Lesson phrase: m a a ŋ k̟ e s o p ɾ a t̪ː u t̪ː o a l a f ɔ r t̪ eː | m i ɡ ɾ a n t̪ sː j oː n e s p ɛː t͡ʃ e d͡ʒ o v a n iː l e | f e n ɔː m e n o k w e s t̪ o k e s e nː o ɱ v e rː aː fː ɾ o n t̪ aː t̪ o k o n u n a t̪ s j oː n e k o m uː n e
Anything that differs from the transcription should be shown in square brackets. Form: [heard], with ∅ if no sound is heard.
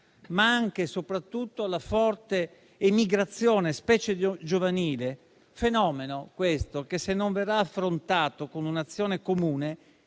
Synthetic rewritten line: m a a ŋ k̟ e s o p ɾ a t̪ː u t̪ː o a l a f ɔ r t̪ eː | m i ɡ ɾ a [∅] t̪ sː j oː n e s p ɛː t͡ʃ e d͡ʒ o v a n iː l e | f e n ɔː m e n o k w e s t̪ o k e s e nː o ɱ v e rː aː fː ɾ o n t̪ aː t̪ o k o n u n a t̪ [sː] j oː n e k o m uː n e